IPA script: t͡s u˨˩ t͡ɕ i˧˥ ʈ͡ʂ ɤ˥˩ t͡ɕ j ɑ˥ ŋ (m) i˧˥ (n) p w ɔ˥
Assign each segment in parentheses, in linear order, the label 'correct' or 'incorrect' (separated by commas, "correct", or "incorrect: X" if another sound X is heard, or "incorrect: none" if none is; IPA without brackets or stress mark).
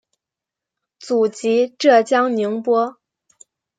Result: incorrect: n, incorrect: ŋ